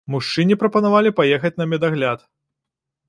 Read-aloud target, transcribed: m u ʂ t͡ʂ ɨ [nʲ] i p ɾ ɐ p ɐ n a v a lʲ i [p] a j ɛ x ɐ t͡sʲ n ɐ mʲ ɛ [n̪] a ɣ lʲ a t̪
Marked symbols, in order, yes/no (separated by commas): yes, yes, no